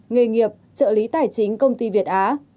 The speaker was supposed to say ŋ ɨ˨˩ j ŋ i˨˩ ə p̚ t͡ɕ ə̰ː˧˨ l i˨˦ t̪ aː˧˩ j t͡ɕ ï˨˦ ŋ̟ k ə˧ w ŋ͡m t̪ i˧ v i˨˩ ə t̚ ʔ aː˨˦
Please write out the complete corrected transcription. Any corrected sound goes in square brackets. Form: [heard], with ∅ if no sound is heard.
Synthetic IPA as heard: ŋ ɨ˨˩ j ŋ i˨˩ ə p̚ t͡ɕ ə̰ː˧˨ l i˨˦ t̪ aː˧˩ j t͡ɕ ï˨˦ ŋ̟ k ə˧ w ŋ͡m t̪ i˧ v i˨˩ ə t̚ ʔ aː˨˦